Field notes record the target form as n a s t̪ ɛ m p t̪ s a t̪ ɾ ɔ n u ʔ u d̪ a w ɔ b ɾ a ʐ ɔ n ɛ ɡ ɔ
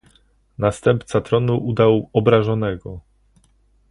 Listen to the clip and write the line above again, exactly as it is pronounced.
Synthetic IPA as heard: n a s t̪ ɛ m p t̪ s a t̪ ɾ ɔ n u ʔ u d̪ a w ɔ b ɾ a ʐ ɔ n ɛ ɡ ɔ